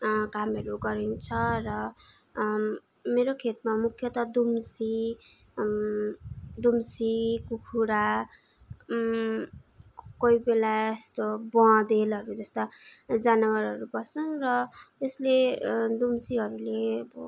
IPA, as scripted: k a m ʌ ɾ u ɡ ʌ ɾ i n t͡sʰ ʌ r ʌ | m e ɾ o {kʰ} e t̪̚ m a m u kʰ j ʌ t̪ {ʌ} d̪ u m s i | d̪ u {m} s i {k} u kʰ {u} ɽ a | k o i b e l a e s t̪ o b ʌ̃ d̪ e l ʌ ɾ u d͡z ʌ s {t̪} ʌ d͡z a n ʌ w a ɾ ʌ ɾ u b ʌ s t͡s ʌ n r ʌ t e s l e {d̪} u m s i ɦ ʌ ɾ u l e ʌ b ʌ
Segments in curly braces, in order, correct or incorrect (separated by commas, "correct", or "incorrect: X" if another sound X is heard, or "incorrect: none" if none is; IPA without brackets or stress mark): correct, correct, correct, correct, correct, correct, correct